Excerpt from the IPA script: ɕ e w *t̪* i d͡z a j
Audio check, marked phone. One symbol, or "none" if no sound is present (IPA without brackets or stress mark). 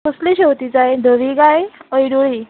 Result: t̪